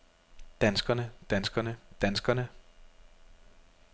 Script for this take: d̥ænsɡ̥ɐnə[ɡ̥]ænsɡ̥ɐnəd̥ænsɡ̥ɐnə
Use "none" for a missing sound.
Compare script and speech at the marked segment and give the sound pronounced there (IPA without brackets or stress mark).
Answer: d̥